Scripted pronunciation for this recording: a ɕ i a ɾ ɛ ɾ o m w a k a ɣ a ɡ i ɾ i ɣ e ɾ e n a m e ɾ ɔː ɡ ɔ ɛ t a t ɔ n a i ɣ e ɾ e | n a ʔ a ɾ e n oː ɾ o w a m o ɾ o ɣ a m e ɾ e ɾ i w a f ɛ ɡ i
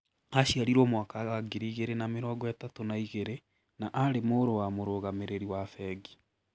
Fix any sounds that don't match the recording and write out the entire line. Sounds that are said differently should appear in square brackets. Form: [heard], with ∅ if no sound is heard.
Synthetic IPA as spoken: a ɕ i a ɾ [i] ɾ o m w a k a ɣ a ɡ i ɾ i ɣ e ɾ e n a m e ɾ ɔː ɡ ɔ ɛ t a t [o] n a i ɣ e ɾ e | n a ʔ a ɾ e [m] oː ɾ o w a m o ɾ o ɣ a m e ɾ e ɾ i w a f ɛ ɡ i